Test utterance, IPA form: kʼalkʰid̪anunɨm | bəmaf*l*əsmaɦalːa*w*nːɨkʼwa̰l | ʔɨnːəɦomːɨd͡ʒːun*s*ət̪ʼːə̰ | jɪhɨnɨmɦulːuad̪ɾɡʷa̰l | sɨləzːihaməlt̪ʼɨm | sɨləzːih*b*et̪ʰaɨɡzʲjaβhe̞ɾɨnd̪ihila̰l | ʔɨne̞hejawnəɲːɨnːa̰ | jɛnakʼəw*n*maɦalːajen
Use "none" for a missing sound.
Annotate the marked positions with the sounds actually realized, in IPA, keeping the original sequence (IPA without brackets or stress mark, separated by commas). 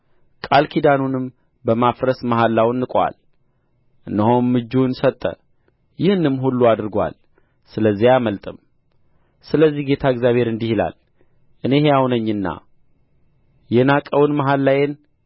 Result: ɾ, w, s, ɡ, n